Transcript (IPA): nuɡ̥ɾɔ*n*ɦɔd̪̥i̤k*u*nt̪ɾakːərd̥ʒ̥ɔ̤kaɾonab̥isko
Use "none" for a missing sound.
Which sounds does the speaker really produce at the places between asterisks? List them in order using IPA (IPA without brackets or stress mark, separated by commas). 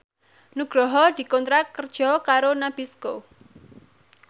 none, ɔ